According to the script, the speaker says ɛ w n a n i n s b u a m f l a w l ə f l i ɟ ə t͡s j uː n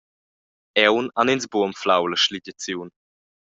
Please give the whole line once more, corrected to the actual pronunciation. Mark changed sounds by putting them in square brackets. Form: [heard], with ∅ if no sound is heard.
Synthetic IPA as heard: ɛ w n a n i n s b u [ə] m f l a w l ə [ʃ] l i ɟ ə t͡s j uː n